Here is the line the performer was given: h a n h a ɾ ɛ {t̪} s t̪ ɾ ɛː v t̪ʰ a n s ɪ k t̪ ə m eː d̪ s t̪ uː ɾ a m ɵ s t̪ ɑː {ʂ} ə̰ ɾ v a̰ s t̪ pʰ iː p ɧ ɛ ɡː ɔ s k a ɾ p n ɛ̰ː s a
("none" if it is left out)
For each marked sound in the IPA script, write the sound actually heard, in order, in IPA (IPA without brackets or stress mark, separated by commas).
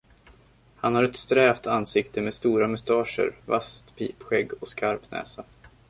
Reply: t̪, ʂ